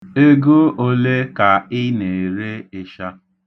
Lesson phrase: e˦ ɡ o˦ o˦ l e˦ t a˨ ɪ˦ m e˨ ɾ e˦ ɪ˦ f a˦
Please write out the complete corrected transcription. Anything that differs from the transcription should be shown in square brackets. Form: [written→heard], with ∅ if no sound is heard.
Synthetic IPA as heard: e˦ ɡ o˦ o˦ l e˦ [t→k] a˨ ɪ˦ [m→n] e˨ ɾ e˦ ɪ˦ [f→ʃ] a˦